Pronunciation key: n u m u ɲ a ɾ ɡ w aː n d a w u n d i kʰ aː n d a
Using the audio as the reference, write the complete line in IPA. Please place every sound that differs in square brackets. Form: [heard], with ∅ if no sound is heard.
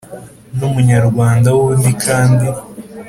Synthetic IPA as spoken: n u m u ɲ a ɾ ɡ w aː n d a w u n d i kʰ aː n d [i]